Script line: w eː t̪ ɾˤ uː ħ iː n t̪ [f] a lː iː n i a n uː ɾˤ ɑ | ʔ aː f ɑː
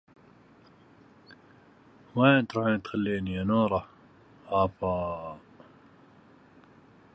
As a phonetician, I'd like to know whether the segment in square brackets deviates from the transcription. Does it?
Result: yes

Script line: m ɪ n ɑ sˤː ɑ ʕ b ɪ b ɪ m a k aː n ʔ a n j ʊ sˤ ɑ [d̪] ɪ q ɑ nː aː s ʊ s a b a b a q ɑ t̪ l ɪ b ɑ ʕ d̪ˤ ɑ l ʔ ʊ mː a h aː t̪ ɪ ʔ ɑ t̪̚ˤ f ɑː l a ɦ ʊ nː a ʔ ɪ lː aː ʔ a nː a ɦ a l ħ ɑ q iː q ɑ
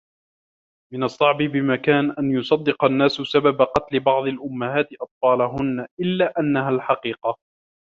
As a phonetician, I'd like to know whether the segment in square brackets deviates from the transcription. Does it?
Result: yes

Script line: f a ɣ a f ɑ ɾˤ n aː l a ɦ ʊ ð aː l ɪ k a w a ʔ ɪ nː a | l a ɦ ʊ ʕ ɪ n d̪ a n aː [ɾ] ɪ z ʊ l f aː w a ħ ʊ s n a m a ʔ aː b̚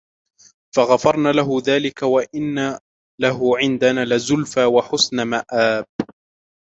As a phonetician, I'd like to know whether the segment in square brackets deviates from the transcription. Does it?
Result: yes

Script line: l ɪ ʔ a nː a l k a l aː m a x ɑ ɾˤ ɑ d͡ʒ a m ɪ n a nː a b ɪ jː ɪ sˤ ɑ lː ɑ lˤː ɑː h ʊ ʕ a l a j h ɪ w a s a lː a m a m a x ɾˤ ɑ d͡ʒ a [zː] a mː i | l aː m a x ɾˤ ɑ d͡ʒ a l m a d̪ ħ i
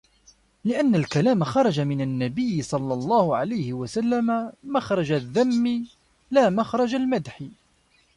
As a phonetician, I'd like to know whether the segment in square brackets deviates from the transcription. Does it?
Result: yes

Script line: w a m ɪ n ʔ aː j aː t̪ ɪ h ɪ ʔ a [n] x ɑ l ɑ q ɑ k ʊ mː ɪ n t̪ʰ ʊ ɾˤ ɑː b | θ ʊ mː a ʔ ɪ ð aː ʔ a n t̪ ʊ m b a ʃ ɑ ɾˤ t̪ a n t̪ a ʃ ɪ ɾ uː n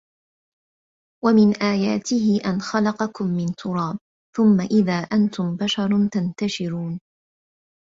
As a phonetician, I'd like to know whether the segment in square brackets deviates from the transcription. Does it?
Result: no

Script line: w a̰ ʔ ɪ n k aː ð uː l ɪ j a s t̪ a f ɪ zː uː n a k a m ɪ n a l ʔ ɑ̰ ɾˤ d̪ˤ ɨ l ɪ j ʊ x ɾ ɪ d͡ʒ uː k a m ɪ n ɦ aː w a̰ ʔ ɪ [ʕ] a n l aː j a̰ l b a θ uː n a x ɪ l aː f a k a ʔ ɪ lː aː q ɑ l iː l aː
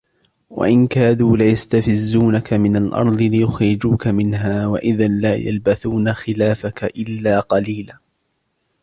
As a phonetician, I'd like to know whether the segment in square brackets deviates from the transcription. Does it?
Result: yes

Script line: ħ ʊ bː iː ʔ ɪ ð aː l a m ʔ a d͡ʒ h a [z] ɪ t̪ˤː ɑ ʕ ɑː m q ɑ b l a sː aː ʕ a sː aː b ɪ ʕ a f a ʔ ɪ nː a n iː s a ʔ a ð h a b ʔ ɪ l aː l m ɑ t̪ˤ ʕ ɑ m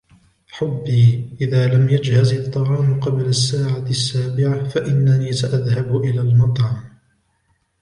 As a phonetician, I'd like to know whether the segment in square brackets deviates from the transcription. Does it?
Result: no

